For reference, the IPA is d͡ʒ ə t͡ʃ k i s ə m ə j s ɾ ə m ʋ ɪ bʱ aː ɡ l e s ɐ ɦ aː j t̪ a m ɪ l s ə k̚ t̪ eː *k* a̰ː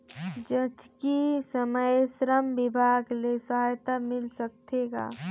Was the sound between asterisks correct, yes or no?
no